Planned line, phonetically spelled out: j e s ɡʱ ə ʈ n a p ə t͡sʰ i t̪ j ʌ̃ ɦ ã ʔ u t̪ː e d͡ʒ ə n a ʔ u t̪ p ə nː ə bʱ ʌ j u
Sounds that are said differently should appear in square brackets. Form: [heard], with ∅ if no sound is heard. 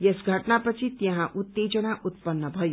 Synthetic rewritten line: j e s ɡʱ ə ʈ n a p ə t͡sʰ i t̪ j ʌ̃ ɦ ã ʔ u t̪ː e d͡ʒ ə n a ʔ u t̪ p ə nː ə bʱ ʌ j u